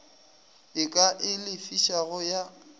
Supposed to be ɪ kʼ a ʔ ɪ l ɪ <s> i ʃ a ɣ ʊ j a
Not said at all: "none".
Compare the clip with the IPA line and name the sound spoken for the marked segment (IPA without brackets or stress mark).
f